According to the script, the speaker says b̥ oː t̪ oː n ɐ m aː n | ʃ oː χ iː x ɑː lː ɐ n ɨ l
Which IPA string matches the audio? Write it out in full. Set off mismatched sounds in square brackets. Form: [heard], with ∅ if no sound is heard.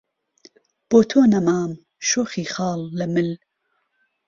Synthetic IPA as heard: b̥ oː [t̪ʰ] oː n ɐ m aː [m] | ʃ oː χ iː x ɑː lː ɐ [m] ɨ l